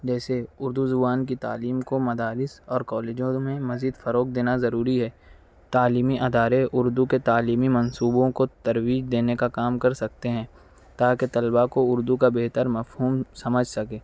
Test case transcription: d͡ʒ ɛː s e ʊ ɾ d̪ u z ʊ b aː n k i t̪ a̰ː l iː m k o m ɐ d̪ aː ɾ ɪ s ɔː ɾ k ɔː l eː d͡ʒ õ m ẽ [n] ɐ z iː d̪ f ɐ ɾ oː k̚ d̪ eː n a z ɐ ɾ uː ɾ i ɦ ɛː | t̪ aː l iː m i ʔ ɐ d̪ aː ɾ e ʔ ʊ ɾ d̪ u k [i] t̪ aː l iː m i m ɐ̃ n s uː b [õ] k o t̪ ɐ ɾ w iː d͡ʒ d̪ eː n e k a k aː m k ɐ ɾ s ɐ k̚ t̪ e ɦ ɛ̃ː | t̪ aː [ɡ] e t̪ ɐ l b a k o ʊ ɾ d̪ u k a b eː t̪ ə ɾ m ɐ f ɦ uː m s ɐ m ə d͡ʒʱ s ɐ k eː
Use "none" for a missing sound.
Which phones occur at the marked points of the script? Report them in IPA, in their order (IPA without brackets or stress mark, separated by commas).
m, e, õ, k